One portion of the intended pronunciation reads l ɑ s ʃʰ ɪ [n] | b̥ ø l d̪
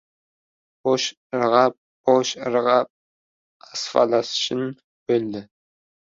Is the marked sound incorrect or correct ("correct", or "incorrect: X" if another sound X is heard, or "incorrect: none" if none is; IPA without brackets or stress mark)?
correct